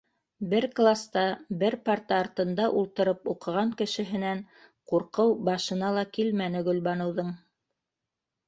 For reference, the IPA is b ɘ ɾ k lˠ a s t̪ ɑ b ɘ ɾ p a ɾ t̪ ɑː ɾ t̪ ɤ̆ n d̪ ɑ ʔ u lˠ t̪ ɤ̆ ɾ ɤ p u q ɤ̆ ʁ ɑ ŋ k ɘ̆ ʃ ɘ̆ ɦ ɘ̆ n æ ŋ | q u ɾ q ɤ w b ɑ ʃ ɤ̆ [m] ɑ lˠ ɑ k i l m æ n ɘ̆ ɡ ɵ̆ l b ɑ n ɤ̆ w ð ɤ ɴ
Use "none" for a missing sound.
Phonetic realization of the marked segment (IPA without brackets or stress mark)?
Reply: n